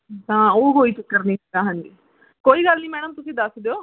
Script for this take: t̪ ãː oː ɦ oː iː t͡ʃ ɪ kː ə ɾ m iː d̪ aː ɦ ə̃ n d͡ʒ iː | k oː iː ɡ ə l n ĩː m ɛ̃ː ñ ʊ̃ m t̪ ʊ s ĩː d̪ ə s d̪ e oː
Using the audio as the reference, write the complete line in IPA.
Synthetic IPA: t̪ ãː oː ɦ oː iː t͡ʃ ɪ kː ə ɾ n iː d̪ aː ɦ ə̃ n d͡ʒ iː | k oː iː ɡ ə l n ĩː m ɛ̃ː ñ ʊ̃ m t̪ ʊ s ĩː d̪ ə s d̪ e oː